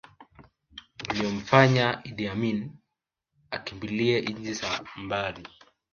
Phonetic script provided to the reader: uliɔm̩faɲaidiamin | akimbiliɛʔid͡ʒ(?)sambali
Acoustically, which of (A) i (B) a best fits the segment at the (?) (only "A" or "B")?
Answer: A